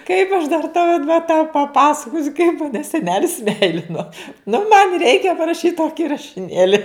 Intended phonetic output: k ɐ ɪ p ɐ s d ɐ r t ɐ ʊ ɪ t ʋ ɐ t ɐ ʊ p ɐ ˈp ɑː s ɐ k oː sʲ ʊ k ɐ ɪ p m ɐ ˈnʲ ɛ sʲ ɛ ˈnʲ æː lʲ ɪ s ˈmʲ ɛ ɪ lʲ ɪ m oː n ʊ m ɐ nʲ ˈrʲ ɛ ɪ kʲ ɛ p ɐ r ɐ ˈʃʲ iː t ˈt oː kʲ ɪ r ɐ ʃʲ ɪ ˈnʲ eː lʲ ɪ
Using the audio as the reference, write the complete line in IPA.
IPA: k ɐ ɪ p ɐ ʃ d ɐ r t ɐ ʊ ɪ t ʋ ɐ t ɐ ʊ p ɐ ˈp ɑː s ɐ k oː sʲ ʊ k ɐ ɪ p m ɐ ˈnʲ ɛ sʲ ɛ ˈnʲ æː lʲ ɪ s ˈmʲ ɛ ɪ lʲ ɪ n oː n ʊ m ɐ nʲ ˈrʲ ɛ ɪ kʲ ɛ p ɐ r ɐ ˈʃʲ iː t ˈt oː kʲ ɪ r ɐ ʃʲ ɪ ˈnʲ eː lʲ ɪ

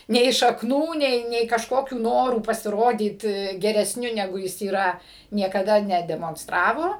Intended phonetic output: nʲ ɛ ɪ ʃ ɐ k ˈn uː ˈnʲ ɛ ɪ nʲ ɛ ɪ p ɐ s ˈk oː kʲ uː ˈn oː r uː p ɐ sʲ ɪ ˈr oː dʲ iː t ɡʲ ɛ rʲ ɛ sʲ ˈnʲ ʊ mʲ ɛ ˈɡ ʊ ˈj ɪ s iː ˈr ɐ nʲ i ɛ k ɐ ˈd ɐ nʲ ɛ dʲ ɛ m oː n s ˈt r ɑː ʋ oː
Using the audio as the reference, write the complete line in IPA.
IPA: nʲ ɛ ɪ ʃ ɐ k ˈn uː ˈnʲ ɛ ɪ nʲ ɛ ɪ k ɐ ʃ ˈk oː kʲ uː ˈn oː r uː p ɐ sʲ ɪ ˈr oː dʲ iː t ɡʲ ɛ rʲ ɛ sʲ ˈnʲ ʊ nʲ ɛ ˈɡ ʊ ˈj ɪ s iː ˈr ɐ nʲ i ɛ k ɐ ˈd ɐ nʲ ɛ dʲ ɛ m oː n s ˈt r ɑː ʋ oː

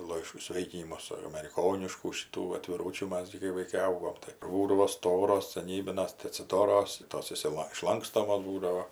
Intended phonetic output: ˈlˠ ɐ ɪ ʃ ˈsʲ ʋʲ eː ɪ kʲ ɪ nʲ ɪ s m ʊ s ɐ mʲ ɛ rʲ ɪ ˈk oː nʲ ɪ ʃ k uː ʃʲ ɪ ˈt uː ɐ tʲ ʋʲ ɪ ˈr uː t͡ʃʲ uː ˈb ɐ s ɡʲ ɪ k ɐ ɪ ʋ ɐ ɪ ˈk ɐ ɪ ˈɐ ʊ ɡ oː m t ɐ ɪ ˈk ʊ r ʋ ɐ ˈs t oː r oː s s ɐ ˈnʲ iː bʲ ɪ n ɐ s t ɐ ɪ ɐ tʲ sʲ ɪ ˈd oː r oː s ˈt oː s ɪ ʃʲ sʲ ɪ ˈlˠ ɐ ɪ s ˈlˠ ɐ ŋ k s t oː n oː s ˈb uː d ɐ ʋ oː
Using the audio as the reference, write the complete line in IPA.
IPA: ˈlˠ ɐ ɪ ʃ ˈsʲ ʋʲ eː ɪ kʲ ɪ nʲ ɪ m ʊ s ɐ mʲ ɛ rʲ ɪ ˈk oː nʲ ɪ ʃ k uː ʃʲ ɪ ˈt uː ɐ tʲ ʋʲ ɪ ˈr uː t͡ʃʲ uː ˈm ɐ s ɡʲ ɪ k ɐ ɪ ʋ ɐ ɪ ˈk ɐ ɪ ˈɐ ʊ ɡ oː m t ɐ ɪ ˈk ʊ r ʋ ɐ ˈs t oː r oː s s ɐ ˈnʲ iː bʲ ɪ n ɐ s t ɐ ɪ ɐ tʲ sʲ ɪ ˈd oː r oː s ˈt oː s ɪ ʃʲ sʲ ɪ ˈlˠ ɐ ɪ ʃ ˈlˠ ɐ ŋ k s t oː m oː s ˈb uː d ɐ ʋ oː

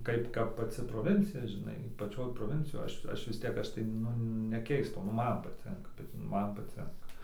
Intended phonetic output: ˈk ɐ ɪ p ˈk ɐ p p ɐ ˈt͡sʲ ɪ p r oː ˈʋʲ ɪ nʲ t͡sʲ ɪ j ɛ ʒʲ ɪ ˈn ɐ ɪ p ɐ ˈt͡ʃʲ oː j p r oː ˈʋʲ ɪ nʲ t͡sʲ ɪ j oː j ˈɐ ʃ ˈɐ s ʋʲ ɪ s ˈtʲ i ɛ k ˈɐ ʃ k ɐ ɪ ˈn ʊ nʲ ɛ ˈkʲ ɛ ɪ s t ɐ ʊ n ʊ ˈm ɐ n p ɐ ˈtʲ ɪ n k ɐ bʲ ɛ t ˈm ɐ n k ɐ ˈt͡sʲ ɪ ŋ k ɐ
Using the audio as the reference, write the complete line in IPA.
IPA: ˈk ɐ ɪ p ˈk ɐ p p ɐ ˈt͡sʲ ɪ p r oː ˈʋʲ ɪ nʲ t͡sʲ ɪ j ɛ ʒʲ ɪ ˈn ɐ ɪ p ɐ ˈt͡ʃʲ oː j p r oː ˈʋʲ ɪ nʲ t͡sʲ ɪ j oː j ˈɐ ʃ ˈɐ ʃ ʋʲ ɪ s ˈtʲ i ɛ k ˈɐ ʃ t ɐ ɪ ˈn ʊ nʲ ɛ ˈkʲ ɛ ɪ s t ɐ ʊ n ʊ ˈm ɐ n p ɐ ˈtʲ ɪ ŋ k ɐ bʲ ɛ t ˈm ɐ n p ɐ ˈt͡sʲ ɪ ŋ k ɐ

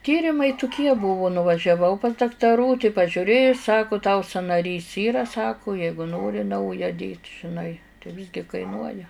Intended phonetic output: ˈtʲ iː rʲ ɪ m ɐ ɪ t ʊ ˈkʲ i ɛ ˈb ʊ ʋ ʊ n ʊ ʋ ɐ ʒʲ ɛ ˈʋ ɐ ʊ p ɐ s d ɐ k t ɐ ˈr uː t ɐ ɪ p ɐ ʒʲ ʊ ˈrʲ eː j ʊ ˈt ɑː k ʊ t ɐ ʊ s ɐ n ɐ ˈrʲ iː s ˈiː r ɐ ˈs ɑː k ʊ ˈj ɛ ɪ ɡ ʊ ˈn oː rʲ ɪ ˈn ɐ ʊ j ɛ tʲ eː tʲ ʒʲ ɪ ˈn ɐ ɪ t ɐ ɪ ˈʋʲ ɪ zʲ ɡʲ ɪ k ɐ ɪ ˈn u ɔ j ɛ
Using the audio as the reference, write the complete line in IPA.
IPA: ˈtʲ iː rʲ ɪ m ɐ ɪ t ʊ ˈkʲ i ɛ ˈb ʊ ʋ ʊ n ʊ ʋ ɐ ʒʲ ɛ ˈʋ ɐ ʊ p ɐ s d ɐ k t ɐ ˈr uː t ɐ ɪ p ɐ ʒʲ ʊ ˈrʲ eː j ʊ ˈs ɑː k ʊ t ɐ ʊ s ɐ n ɐ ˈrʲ iː s ˈiː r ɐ ˈs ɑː k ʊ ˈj ɛ ɪ ɡ ʊ ˈn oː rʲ ɪ ˈn ɐ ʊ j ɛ dʲ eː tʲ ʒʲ ɪ ˈn ɐ ɪ t ɐ ɪ ˈʋʲ ɪ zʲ ɡʲ ɪ k ɐ ɪ ˈn u ɔ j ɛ

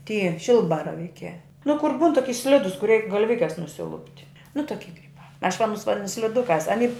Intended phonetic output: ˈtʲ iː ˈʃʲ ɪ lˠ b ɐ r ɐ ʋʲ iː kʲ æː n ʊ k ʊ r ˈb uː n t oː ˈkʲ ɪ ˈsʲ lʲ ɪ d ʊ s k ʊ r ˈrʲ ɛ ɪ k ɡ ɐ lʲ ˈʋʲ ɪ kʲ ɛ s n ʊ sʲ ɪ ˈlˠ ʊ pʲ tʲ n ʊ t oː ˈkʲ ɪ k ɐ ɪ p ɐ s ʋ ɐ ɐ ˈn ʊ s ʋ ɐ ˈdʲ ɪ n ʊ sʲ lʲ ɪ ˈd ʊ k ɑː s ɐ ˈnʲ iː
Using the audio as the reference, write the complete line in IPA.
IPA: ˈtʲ iː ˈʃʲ ɪ lˠ b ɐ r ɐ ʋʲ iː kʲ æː n ʊ k ʊ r ˈb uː n t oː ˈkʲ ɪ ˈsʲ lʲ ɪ d ʊ s k ʊ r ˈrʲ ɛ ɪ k ɡ ɐ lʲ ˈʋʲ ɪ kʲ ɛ s n ʊ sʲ ɪ ˈlˠ ʊ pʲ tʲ n ʊ t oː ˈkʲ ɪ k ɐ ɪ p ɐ ʃ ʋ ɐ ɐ ˈn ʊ s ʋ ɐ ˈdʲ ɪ n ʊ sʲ lʲ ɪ ˈd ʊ k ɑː s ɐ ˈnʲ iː

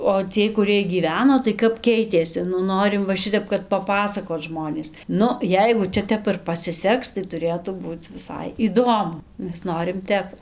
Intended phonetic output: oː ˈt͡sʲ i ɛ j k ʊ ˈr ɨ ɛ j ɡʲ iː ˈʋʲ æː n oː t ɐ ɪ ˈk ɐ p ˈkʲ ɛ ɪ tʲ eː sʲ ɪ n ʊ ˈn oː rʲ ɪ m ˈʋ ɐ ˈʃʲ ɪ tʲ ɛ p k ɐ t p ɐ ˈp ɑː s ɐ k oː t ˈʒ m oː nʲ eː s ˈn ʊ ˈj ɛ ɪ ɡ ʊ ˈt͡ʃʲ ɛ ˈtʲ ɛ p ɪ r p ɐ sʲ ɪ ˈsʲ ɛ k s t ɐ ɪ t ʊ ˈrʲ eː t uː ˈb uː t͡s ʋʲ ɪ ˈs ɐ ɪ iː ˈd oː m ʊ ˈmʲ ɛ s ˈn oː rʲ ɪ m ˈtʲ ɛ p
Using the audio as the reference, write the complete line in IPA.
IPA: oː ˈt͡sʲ i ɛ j k ʊ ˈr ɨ ɛ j ɡʲ iː ˈʋʲ æː n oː t ɐ ɪ ˈk ɐ p ˈkʲ ɛ ɪ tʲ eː sʲ ɪ n ʊ ˈn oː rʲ ɪ m ˈʋ ɐ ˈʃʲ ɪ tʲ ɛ p k ɐ t p ɐ ˈp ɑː s ɐ k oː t ˈʒ m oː nʲ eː s ˈn ʊ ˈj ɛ ɪ ɡ ʊ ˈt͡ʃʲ ɛ ˈtʲ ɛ p ɪ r p ɐ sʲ ɪ ˈsʲ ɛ k s t ɐ ɪ t ʊ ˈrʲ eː t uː ˈb uː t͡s ʋʲ ɪ ˈs ɐ ɪ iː ˈd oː m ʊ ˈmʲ ɛ s ˈn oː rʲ ɪ m ˈtʲ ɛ p

